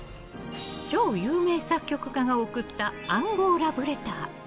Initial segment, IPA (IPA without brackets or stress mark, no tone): t͡ɕ